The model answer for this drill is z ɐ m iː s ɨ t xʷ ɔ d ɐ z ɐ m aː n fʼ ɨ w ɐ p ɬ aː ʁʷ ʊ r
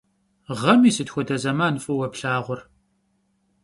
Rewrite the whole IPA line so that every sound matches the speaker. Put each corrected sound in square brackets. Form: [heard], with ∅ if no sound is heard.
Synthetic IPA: [ʁ] ɐ m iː s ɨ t xʷ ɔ d ɐ z ɐ m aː n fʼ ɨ w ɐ p ɬ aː ʁʷ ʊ r